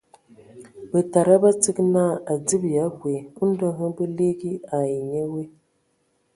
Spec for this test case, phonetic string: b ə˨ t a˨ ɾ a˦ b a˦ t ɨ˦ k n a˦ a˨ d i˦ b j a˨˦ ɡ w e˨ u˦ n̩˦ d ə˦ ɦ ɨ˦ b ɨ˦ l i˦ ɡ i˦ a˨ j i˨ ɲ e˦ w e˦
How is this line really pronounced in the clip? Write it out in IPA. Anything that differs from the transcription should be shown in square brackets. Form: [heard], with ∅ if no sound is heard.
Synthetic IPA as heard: b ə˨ t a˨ ɾ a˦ b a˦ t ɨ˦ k n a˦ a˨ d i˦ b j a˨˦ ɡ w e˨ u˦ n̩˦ d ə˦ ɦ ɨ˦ b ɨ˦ l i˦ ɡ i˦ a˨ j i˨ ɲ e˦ w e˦